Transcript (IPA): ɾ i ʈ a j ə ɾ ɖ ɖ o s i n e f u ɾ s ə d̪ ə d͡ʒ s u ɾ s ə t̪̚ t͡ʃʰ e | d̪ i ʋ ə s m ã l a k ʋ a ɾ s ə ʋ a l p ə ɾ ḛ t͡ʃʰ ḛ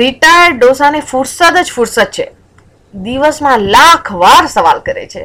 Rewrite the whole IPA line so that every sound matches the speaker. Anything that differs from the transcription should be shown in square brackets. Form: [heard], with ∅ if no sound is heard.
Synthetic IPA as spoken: ɾ i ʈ a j ə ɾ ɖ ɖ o s [a] n e f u ɾ s ə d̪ ə d͡ʒ [f] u ɾ s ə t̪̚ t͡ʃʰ e | d̪ i ʋ ə s m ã l a [kʰ] ʋ a ɾ s ə ʋ a l [k] ə ɾ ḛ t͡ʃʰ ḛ